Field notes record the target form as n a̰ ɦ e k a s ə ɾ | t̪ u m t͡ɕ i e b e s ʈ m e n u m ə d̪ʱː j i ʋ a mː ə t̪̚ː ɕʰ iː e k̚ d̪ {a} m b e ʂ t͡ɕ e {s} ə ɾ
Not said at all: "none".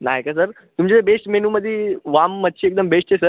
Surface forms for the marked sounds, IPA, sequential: ə, s

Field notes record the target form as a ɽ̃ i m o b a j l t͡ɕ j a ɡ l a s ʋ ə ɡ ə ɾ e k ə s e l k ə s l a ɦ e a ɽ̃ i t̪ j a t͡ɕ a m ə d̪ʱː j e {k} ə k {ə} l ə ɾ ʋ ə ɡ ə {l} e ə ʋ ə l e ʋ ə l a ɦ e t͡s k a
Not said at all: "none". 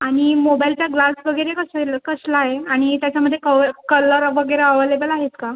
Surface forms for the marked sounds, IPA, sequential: k, ə, ɾ

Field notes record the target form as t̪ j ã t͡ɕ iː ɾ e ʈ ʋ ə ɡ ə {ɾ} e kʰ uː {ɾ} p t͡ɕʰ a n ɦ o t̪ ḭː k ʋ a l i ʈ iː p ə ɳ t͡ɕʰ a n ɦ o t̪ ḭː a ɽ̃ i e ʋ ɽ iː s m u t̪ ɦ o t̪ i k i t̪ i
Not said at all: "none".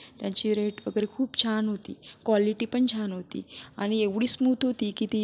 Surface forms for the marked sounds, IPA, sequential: ɾ, none

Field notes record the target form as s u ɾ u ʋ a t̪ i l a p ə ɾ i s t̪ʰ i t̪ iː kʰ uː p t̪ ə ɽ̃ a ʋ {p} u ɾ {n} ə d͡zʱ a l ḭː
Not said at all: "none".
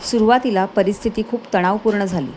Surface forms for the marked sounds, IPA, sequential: p, ɳ

